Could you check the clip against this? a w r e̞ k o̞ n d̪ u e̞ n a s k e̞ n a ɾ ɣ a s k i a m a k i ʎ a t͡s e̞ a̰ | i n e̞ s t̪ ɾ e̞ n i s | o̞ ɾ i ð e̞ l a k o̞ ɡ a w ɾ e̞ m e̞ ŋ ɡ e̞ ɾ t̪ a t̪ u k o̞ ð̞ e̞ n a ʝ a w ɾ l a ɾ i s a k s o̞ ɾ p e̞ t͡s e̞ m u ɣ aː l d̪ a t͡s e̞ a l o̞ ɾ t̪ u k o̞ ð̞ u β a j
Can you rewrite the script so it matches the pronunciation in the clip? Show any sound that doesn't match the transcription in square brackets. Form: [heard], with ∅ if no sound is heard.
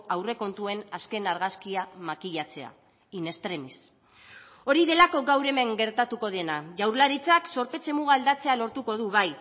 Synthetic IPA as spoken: a w r e̞ k o̞ n [t̪] u e̞ n a s k e̞ n a ɾ ɣ a s k i a m a k i ʎ a t͡s e̞ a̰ | i n e̞ s t̪ ɾ e̞ [m] i s | o̞ ɾ i ð e̞ l a k o̞ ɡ a w ɾ e̞ m e̞ ŋ ɡ e̞ ɾ t̪ a t̪ u k o̞ ð̞ e̞ n a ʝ a w ɾ l a ɾ i [t͡s] a k s o̞ ɾ p e̞ t͡s e̞ m u ɣ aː l d̪ a t͡s e̞ a l o̞ ɾ t̪ u k o̞ ð̞ u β a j

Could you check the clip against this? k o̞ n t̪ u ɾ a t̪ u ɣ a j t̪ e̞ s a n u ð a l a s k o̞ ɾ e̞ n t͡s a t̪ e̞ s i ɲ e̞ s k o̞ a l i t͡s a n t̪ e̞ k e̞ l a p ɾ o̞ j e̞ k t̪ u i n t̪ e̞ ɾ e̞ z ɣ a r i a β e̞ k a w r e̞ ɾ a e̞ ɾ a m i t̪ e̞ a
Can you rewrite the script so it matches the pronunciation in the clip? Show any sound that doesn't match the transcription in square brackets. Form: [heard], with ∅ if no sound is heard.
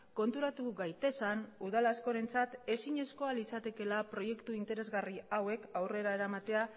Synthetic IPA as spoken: k o̞ n t̪ u ɾ a t̪ u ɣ a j t̪ e̞ s a n u ð a l a s k o̞ ɾ e̞ n t͡s a t̪ e̞ s i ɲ e̞ s k o̞ a l i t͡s a [∅] t̪ e̞ k e̞ l a p ɾ o̞ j e̞ k t̪ u i n t̪ e̞ ɾ e̞ z ɣ a r i a [w] e̞ k a w r e̞ ɾ a e̞ ɾ a m [a] t̪ e̞ a

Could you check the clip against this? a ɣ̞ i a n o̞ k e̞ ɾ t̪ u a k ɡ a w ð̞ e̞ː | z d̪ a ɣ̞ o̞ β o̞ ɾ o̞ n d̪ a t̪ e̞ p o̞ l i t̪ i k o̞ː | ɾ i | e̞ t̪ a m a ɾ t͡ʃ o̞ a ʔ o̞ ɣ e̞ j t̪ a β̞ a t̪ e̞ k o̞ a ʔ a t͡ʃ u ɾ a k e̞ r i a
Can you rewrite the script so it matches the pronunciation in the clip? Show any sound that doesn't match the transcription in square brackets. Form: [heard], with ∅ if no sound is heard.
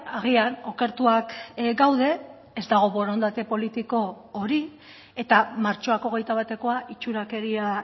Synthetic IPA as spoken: a ɣ̞ i a n o̞ k e̞ ɾ t̪ u a k ɡ a w ð̞ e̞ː | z d̪ a ɣ̞ o̞ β o̞ ɾ o̞ n d̪ a t̪ e̞ p o̞ l i t̪ i k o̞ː | ɾ i | e̞ t̪ a m a ɾ t͡ʃ o̞ a [k] o̞ ɣ e̞ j t̪ a β̞ a t̪ e̞ k o̞ a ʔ [i] t͡ʃ u ɾ a k e̞ [ɾ] i a

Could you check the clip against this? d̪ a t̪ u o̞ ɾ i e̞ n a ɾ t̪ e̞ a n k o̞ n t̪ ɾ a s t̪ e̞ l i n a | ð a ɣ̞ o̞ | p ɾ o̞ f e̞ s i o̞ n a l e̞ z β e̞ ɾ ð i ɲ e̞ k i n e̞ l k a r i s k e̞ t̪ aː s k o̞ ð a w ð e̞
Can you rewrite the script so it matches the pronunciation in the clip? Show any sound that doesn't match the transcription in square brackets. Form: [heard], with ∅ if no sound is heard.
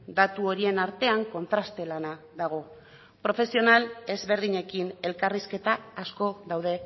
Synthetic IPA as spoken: d̪ a t̪ u o̞ ɾ i e̞ n a ɾ t̪ e̞ a [ŋ] k o̞ n t̪ ɾ a s t̪ e̞ l [a] n a | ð a ɣ̞ o̞ | p ɾ o̞ f e̞ s i o̞ n a l e̞ z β e̞ ɾ ð i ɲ e̞ k i n e̞ l k a r i s k e̞ t̪ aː s k o̞ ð a w ð e̞

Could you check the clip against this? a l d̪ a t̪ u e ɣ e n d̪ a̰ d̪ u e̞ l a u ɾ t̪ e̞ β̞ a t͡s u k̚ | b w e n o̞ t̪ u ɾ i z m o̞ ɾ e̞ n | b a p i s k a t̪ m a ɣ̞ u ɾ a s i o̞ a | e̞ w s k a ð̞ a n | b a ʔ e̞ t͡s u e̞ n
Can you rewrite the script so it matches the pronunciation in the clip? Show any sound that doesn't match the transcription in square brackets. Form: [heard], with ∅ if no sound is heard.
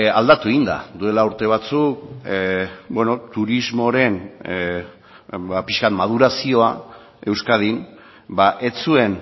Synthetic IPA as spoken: a l d̪ a t̪ u e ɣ [i] n d̪ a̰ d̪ u e̞ l a u ɾ t̪ e̞ β̞ a t͡s u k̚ | b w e n o̞ t̪ u ɾ i z m o̞ ɾ e̞ n | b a p i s k a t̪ m a [ð̞] u ɾ a s i o̞ a | e̞ w s k a ð̞ [i] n | b a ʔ e̞ t͡s u e̞ n

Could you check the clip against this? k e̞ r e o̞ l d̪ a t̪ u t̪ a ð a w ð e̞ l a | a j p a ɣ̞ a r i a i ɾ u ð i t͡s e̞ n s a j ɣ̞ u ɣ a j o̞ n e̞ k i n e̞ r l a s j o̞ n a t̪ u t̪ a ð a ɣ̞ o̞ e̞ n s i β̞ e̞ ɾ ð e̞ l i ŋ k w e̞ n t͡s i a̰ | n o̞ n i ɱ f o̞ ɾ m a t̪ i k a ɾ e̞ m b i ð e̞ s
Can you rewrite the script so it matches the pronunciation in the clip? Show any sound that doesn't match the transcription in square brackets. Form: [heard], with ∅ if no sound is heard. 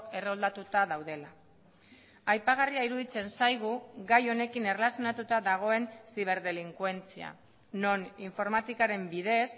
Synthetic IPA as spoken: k e̞ r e o̞ l d̪ a t̪ u t̪ a ð a w ð e̞ l a | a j p a ɣ̞ a r i a i ɾ u ð i t͡s e̞ n s a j ɣ̞ u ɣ a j o̞ n e̞ k i n e̞ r l a s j o̞ n a t̪ u t̪ a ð a ɣ̞ o̞ e̞ n s i β̞ e̞ ɾ ð e̞ l i ŋ k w e̞ n t͡s i a̰ | n o̞ n i ɱ f o̞ ɾ m a t̪ i k a ɾ e̞ m b i ð e̞ s

